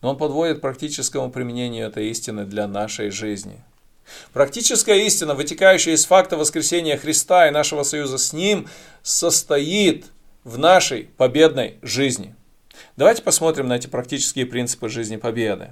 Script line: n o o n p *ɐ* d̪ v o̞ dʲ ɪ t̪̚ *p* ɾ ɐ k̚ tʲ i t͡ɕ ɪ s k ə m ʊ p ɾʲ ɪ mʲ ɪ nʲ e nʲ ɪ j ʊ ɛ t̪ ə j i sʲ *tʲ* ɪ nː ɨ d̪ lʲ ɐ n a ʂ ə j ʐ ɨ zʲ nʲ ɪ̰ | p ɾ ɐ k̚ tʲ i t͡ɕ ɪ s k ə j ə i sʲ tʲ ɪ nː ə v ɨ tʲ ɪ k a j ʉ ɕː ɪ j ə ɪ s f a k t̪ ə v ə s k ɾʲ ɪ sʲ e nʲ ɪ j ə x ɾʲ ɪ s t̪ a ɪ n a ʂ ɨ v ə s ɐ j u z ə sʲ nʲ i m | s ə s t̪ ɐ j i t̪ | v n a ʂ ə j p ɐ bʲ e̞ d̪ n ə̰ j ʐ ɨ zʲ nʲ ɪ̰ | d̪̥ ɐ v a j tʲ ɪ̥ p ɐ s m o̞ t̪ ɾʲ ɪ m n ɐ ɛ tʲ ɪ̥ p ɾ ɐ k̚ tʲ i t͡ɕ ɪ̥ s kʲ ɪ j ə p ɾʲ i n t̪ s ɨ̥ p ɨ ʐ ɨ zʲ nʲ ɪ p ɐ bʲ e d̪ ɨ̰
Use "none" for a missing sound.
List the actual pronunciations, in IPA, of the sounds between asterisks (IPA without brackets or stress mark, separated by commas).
ɐ, p, tʲ